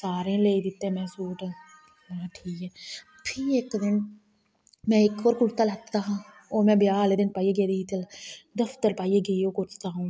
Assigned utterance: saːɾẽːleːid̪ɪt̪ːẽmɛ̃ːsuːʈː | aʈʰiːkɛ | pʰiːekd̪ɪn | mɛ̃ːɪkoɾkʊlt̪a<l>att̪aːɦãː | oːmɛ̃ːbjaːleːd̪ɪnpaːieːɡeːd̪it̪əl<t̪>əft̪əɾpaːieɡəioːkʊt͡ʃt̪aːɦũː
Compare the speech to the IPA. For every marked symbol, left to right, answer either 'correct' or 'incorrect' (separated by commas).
correct, incorrect